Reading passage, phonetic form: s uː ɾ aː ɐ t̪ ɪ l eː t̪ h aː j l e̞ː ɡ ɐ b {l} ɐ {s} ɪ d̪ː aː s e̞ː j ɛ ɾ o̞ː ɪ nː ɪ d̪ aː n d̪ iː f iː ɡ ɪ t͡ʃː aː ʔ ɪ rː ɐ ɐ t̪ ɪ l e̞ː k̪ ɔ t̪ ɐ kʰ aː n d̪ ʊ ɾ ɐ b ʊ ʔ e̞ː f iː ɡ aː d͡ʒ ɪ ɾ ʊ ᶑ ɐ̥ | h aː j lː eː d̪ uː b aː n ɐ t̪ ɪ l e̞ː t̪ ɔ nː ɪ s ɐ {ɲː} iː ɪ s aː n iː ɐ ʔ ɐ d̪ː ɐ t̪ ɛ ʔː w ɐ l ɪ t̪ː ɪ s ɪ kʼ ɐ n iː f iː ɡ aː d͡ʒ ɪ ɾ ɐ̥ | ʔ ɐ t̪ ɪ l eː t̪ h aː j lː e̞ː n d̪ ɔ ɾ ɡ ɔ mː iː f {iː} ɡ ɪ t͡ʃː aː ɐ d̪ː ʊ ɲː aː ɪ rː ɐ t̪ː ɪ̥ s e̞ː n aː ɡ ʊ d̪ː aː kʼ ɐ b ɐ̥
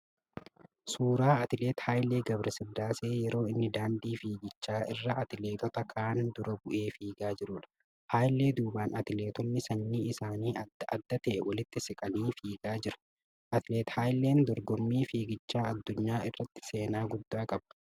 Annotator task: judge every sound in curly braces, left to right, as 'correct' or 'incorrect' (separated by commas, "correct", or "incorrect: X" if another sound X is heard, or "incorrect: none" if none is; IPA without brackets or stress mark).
incorrect: ɾ, correct, incorrect: nː, correct